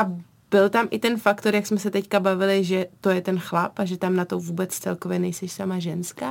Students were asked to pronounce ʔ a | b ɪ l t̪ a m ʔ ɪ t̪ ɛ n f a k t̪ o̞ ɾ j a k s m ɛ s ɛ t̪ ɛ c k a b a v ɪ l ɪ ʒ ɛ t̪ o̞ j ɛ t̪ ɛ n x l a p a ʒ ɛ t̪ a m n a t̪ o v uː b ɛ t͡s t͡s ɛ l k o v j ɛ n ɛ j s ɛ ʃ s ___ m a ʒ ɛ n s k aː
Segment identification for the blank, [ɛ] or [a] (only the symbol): a